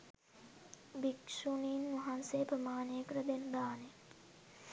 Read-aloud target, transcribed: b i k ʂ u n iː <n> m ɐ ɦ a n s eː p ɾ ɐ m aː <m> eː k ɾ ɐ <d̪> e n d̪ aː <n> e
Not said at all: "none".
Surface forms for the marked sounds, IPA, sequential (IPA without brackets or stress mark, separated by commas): n, n, d̪, n